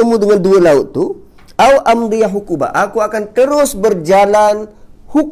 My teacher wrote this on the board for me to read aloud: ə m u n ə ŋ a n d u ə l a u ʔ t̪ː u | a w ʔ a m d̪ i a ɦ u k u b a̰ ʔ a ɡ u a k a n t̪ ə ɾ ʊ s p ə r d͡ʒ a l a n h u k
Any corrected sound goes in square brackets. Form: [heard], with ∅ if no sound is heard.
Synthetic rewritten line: ə m u [d] ə ŋ a n d u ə l a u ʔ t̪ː u | a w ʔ a m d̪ i a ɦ u k u b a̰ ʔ a [k] u a k a n t̪ ə ɾ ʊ s [b] ə r d͡ʒ a l a n h u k